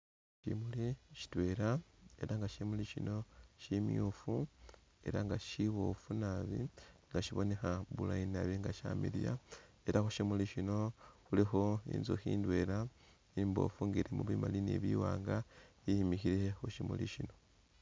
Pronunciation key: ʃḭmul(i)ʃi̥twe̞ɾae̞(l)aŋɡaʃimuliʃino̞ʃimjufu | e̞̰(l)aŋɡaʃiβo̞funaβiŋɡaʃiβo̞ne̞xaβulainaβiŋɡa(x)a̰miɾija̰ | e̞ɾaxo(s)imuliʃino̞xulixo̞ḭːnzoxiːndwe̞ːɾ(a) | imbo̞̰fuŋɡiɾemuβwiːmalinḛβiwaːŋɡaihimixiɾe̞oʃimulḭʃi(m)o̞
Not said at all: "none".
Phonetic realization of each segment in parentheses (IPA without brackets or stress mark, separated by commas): i, ɾ, ɾ, ʃ, ʃ, a, n